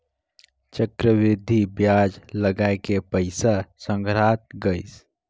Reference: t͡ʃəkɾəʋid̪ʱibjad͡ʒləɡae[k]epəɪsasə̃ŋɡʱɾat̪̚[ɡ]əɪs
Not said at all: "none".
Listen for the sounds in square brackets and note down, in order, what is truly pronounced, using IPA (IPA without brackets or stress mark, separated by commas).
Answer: k, ɡ